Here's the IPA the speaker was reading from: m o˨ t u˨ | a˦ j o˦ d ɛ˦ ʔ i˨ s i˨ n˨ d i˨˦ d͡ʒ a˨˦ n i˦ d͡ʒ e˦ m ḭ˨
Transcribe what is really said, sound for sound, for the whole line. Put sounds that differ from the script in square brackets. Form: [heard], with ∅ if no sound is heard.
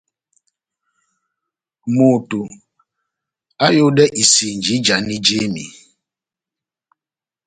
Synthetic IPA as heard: m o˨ t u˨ | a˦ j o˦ d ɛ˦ ʔ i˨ s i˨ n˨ [d͡ʒ] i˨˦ d͡ʒ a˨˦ n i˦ d͡ʒ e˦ m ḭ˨